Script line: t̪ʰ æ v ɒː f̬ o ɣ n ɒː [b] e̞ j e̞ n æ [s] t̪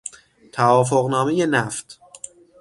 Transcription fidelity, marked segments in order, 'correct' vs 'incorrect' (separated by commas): incorrect, incorrect